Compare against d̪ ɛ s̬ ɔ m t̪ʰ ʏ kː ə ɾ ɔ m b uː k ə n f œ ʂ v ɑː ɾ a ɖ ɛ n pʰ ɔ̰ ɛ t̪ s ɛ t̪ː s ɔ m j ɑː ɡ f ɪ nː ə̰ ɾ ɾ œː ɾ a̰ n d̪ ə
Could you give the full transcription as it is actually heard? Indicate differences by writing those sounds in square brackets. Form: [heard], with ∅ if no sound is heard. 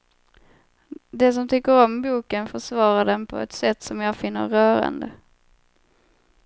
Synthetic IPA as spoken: d̪ ɛ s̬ ɔ m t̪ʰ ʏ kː ə ɾ ɔ m b uː k ə n f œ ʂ v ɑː ɾ a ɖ ɛ n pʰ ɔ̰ ɛ t̪ s ɛ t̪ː s ɔ m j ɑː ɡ f ɪ nː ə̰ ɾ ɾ œː ɾ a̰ n d̪ ə

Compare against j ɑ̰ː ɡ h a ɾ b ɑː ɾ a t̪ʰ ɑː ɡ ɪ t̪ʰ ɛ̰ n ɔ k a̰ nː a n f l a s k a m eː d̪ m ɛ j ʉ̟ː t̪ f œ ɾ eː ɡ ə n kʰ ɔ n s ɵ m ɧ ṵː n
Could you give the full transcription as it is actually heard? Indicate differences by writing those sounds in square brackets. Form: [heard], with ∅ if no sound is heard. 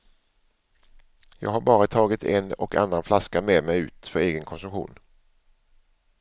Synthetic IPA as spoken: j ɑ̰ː ɡ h a ɾ b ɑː ɾ a t̪ʰ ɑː ɡ ɪ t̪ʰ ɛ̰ n ɔ k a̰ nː a n f l a s k a m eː d̪ m ɛ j ʉ̟ː t̪ f œ ɾ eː ɡ ə n kʰ ɔ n s ɵ m ɧ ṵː n

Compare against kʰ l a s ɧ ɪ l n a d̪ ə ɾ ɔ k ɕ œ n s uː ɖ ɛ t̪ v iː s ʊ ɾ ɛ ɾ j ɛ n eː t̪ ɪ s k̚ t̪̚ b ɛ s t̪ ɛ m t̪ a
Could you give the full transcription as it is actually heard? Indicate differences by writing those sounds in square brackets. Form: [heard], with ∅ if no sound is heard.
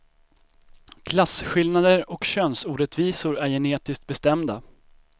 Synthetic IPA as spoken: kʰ l a s ɧ ɪ l n a d̪ ə ɾ ɔ k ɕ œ n s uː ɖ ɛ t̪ v iː s ʊ ɾ [æ] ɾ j ɛ n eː t̪ ɪ s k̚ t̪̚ b ɛ s t̪ ɛ m [d̪] a

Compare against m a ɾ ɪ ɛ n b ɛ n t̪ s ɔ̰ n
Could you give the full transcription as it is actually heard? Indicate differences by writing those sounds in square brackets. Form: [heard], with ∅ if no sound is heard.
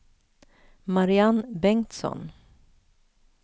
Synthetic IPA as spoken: m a ɾ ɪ [a] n b ɛ [ŋ] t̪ s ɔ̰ n

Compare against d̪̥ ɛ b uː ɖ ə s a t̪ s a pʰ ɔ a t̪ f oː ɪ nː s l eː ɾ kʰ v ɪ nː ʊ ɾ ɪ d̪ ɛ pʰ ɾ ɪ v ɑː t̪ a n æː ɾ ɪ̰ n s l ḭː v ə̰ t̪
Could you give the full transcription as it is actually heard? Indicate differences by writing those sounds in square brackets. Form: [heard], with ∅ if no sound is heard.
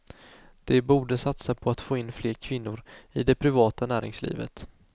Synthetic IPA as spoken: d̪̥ ɛ b uː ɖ ə s a t̪ s a pʰ ɔ a t̪ f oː ɪ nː [f] l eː ɾ kʰ v ɪ nː ʊ ɾ ɪ d̪ ɛ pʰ ɾ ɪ v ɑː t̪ a n æː ɾ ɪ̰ [ŋ] s l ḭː v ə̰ t̪

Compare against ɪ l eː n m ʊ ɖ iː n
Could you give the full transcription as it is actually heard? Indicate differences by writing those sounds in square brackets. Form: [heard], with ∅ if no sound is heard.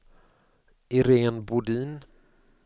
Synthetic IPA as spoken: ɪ [ɾ] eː n [b] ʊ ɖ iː n

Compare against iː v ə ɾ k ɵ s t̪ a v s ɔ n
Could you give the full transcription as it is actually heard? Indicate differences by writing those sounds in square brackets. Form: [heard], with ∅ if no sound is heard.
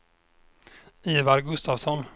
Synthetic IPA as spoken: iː v [a] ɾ [ɡ] ɵ s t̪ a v s ɔ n

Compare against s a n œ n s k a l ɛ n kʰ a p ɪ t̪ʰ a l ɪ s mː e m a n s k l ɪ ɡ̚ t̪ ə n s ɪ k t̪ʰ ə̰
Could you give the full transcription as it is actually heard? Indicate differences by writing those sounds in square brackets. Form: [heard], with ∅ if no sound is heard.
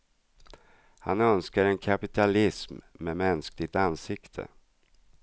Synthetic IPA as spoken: [h] a n œ n s k a [ɾ] ɛ n kʰ a p ɪ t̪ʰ a l ɪ s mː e m [ɛ] n s k l ɪ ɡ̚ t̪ [a] n s ɪ k t̪ʰ ə̰

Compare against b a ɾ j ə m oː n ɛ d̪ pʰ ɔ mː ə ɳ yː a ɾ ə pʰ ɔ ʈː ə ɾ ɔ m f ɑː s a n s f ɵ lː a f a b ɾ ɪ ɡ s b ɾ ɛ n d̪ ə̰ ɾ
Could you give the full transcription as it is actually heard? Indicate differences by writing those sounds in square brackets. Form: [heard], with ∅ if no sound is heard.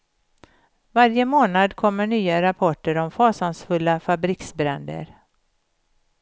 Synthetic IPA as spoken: [v] a ɾ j ə m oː n [a] d̪ [kʰ] ɔ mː ə ɳ yː a ɾ [a] pʰ ɔ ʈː ə ɾ ɔ m f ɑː s a n s f ɵ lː a f a b ɾ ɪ [k] s b ɾ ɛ n d̪ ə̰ ɾ

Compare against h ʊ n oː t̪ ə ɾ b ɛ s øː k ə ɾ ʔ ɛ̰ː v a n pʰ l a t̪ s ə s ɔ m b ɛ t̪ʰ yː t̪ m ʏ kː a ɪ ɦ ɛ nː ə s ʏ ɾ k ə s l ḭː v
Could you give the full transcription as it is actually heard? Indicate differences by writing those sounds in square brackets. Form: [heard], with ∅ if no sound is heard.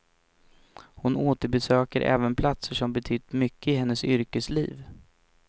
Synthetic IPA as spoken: h ʊ n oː t̪ ə ɾ b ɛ s øː k ə ɾ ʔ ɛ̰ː v [ə] n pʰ l a t̪ s ə [ʂ] ɔ m b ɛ t̪ʰ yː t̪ m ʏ kː [ə] ɪ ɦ ɛ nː ə s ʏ ɾ k ə s l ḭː v

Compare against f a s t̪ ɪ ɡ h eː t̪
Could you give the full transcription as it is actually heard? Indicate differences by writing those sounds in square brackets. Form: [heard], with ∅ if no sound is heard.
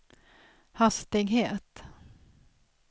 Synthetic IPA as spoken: [h] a s t̪ ɪ ɡ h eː t̪

